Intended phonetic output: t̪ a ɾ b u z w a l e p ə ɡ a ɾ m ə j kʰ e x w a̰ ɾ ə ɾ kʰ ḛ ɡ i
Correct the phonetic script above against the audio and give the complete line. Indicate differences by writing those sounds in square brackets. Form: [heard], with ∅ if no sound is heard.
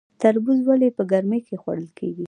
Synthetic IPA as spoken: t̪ a ɾ b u z w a l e p ə ɡ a ɾ m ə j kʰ e x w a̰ [ɽ] ə [l] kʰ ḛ ɡ i